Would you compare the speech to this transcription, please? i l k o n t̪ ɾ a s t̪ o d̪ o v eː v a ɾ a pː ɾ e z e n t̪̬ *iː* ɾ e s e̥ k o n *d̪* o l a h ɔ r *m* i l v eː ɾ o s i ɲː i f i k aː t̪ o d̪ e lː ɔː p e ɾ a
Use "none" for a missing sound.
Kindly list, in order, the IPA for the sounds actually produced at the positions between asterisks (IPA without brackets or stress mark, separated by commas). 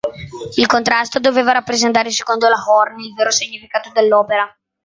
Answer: aː, d̪, n